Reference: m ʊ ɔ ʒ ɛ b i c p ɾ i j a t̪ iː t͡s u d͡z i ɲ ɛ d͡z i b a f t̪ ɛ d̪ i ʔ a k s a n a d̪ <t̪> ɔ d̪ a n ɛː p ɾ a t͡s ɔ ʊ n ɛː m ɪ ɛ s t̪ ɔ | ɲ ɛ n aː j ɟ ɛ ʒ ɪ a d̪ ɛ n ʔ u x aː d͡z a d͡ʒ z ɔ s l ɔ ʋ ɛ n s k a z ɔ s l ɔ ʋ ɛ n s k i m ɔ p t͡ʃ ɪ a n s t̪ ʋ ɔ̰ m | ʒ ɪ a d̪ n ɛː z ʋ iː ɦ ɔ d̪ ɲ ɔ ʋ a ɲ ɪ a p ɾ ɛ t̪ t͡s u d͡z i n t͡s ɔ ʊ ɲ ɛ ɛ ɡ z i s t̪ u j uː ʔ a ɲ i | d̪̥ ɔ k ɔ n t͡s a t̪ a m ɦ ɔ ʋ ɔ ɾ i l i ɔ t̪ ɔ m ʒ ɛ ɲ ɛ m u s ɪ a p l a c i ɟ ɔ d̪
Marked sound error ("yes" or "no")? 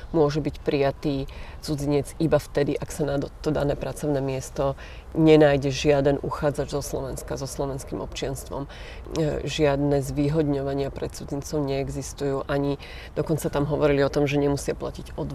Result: no